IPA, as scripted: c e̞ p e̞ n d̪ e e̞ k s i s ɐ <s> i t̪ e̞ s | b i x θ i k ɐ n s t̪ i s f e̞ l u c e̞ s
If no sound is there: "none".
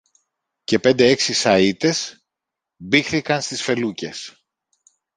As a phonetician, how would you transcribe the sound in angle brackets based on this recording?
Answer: none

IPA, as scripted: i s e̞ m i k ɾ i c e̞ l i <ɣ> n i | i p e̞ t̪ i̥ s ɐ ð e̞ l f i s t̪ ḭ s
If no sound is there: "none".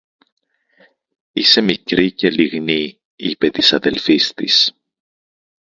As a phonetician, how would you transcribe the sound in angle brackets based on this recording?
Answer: ɣ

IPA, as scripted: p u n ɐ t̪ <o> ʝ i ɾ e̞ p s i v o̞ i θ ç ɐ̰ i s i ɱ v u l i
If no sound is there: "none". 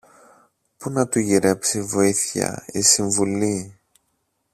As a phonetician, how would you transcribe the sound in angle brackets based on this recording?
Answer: u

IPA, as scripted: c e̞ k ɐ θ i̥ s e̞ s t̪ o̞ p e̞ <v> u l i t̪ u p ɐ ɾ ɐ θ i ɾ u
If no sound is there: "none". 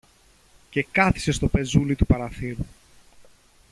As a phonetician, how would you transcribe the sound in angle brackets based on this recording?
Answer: z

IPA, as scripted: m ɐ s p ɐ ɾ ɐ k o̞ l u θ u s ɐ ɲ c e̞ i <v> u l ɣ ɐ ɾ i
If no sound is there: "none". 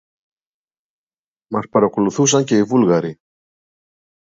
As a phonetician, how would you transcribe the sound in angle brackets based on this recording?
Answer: v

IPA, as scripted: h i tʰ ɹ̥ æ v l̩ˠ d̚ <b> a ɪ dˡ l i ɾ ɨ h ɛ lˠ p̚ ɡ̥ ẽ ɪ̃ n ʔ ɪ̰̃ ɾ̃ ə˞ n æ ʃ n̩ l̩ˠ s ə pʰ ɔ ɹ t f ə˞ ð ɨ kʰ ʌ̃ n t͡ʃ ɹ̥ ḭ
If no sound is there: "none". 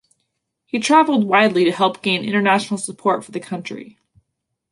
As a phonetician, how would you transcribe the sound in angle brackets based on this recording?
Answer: w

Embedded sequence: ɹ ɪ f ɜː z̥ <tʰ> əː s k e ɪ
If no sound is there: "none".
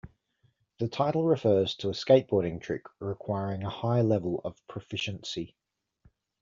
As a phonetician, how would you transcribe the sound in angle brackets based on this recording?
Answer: tʰ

